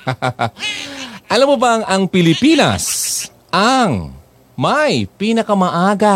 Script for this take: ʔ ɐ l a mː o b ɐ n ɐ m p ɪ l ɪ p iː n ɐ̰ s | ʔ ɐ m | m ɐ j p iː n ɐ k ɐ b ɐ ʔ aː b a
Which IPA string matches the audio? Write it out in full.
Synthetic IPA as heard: ʔ ɐ l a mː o b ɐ ŋ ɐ ŋ p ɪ l ɪ p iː n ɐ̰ s | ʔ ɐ ŋ | m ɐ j p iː n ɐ k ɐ m ɐ ʔ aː ɡ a